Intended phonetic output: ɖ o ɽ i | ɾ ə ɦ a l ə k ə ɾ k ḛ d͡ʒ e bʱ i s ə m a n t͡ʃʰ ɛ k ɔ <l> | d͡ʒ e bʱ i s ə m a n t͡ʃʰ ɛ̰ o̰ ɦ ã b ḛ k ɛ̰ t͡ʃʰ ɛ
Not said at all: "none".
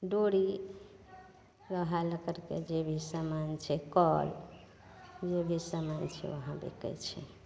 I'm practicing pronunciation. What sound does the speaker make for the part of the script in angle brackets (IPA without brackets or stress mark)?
l